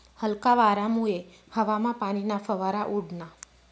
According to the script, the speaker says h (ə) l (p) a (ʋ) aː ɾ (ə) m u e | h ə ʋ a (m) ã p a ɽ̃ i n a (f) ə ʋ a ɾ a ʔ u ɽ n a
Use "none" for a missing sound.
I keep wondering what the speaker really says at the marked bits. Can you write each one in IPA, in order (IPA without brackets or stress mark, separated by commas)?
ə, k, ʋ, a, m, f